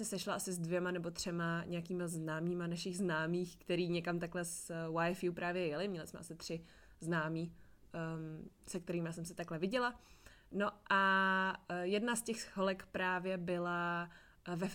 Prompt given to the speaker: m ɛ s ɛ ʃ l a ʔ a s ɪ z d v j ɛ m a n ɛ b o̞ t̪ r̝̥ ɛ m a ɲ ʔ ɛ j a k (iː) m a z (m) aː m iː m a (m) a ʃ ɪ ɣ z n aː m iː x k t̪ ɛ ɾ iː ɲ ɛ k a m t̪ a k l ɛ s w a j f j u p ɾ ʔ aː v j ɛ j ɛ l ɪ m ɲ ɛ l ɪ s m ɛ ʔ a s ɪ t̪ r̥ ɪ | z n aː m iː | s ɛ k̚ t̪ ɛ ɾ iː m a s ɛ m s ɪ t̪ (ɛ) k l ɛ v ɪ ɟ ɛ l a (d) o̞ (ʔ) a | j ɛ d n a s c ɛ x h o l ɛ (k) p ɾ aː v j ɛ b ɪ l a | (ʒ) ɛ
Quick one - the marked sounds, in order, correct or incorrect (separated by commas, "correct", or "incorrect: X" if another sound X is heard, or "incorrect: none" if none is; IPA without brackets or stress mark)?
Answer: correct, incorrect: n, incorrect: n, incorrect: a, incorrect: n, correct, correct, incorrect: v